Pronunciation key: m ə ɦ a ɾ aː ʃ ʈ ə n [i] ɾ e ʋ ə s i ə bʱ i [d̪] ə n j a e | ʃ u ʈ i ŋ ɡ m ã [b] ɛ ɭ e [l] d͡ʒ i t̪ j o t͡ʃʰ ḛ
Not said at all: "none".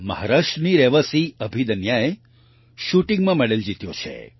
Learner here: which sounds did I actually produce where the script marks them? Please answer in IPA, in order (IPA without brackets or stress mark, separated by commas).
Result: i, d̪, m, l